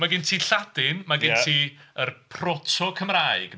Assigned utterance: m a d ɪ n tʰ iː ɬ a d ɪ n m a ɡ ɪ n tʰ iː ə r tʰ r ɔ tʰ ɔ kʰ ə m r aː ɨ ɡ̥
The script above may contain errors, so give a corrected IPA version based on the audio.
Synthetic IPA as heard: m a ɡ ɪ n tʰ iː ɬ a d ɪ n m a ɡ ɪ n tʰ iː ə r pʰ r ɔ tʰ ɔ kʰ ə m r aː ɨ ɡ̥